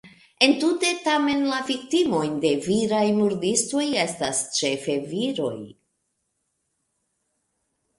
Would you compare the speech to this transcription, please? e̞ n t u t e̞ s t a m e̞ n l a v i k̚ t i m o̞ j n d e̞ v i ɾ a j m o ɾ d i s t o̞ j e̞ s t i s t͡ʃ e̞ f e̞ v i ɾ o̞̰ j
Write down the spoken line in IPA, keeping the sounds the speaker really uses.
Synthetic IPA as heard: e̞ n t u t e̞ t a m e̞ n l a v i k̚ t i m o̞ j n d e̞ v i ɾ a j m u ɾ d i s t o̞ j e̞ s t a s t͡ʃ e̞ f e̞ v i ɾ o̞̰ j

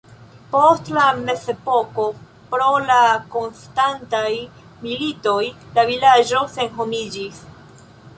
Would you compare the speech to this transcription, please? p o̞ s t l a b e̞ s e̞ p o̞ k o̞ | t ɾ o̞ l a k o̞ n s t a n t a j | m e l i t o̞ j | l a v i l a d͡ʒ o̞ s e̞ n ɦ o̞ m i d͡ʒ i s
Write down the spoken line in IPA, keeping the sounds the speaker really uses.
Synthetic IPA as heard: p o̞ s t l a m e̞ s e̞ p o̞ k o̞ | p ɾ o̞ l a k o̞ n s t a n t a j | m i l i t o̞ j | l a v i l a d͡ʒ o̞ s e̞ n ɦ o̞ m i d͡ʒ i s

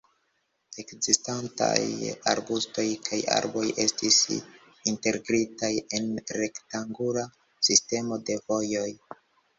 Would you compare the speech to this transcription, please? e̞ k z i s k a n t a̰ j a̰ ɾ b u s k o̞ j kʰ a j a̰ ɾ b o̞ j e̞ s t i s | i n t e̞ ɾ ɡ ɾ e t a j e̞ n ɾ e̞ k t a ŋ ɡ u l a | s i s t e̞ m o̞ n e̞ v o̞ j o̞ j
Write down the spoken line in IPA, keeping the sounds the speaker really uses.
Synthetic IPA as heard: e̞ k z i s t a n t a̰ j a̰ ɾ b u s t o̞ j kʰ a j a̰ ɾ b o̞ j e̞ s t i s | i n t e̞ ɾ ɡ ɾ i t a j e̞ n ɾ e̞ k t a ŋ ɡ u l a | s i s t e̞ m o̞ d e̞ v o̞ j o̞ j

